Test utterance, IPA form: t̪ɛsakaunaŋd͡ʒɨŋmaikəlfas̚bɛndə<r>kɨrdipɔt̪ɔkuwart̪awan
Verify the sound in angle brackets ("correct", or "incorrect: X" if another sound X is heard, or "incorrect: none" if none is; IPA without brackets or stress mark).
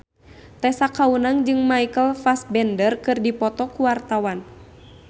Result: correct